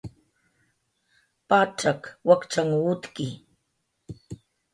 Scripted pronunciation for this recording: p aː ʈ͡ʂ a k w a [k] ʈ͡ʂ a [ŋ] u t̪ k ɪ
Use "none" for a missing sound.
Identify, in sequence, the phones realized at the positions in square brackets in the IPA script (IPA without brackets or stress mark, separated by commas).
k, ŋ